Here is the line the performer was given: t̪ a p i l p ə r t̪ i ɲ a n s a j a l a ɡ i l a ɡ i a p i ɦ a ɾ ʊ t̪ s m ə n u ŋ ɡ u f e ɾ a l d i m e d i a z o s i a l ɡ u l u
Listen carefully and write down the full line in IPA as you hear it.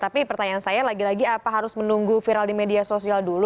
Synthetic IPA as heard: t̪ a p i p ə r t̪ a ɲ a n s a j a l a ɡ i l a ɡ i a p a ɦ a ɾ ʊ s m ə n u ŋ ɡ u f i ɾ a l d i m e d i a s o s i a l d u l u